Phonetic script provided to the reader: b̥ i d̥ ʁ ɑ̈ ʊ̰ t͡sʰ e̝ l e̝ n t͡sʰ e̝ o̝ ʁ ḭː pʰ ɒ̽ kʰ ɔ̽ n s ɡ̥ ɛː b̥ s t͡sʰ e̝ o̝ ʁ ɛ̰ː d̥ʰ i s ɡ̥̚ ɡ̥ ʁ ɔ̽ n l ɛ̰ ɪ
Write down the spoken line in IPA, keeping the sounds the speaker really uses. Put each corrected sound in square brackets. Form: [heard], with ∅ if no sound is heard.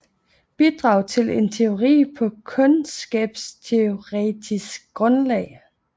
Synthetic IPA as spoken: b̥ i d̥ ʁ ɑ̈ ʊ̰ t͡sʰ e̝ l e̝ n t͡sʰ e̝ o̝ ʁ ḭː pʰ ɒ̽ kʰ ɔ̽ n s ɡ̥ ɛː b̥ s t͡sʰ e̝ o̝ ʁ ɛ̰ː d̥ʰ i s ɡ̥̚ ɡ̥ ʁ ɔ̽ n l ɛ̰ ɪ